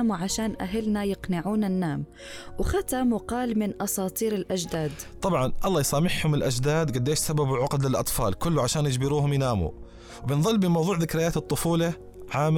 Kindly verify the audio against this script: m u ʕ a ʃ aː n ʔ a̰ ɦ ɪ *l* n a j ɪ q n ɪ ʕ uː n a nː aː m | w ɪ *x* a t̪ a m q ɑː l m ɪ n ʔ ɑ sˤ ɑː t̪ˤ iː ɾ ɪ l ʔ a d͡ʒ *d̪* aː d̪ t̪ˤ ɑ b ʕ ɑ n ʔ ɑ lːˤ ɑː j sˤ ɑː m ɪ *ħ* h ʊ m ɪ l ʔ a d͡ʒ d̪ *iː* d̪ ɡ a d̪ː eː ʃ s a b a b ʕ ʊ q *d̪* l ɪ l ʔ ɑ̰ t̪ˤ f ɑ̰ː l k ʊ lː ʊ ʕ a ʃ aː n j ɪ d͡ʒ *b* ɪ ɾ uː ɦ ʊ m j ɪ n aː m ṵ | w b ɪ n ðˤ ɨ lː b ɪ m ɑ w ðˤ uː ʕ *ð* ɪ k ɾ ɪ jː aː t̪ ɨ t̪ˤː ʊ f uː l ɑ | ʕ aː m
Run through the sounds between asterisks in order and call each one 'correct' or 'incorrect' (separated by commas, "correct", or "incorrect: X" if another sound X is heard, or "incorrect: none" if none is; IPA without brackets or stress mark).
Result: correct, correct, correct, correct, incorrect: aː, correct, correct, correct